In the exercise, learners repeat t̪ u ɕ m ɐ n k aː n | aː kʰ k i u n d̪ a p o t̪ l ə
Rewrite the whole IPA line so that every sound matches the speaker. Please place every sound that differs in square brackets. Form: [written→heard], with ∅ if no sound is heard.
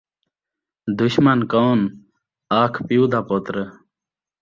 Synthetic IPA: [t̪→d̪] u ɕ m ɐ n k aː n | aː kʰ [k→p] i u [n→∅] d̪ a p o t̪ [l→ɾ] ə